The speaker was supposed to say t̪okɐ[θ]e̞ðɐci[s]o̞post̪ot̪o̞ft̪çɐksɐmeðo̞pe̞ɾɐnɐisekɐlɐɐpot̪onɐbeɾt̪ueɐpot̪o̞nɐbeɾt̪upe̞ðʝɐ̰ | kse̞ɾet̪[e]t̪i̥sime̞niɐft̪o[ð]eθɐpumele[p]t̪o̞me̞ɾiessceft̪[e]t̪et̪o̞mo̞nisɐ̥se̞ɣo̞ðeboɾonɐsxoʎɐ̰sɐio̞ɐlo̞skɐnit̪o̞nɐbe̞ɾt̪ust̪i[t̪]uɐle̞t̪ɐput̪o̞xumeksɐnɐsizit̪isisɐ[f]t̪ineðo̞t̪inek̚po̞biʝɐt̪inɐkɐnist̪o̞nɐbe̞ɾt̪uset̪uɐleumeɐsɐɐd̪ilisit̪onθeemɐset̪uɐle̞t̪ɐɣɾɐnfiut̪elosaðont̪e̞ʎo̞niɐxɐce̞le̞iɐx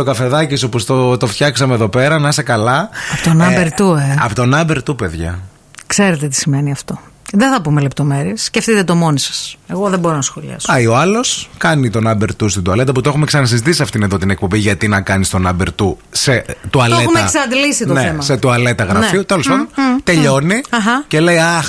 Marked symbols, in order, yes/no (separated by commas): no, yes, yes, yes, yes, no, no, yes